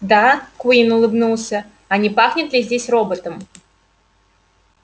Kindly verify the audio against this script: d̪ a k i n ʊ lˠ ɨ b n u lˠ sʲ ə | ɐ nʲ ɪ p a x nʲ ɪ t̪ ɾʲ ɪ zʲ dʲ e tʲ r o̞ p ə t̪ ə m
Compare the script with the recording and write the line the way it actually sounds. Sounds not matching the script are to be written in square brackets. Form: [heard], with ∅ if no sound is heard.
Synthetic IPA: d̪ a k i n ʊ lˠ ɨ b n u lˠ sʲ ə | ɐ nʲ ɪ p a x nʲ ɪ t̪ [lʲ] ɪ zʲ dʲ e [sʲ] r o̞ [b] ə t̪ ə m